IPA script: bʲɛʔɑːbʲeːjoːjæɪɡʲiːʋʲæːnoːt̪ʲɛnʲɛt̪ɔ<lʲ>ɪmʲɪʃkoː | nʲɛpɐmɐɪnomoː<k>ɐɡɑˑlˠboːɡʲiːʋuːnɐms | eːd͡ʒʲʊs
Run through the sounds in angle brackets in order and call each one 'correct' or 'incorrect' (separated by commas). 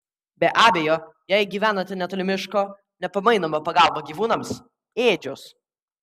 correct, incorrect